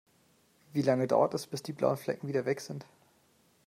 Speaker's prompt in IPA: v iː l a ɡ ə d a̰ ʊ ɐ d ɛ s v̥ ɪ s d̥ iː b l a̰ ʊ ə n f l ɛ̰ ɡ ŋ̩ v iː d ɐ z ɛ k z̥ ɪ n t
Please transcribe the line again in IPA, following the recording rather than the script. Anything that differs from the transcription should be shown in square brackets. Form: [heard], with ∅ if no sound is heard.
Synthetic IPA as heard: v iː l a [ŋ] ə d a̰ ʊ ɐ [t] ɛ s [b̥] ɪ s d̥ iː b l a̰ ʊ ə n f l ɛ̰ [k] ŋ̩ v iː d ɐ [v] ɛ k z̥ ɪ n t